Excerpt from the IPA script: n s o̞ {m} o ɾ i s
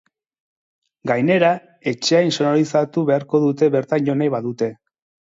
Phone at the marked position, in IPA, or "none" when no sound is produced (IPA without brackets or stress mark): n